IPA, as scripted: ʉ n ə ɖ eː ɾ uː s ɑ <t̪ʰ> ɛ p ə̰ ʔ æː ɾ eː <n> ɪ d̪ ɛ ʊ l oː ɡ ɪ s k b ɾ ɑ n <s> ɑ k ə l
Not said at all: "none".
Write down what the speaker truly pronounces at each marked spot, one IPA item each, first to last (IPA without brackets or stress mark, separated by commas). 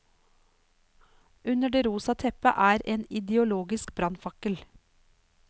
t̪ʰ, n, f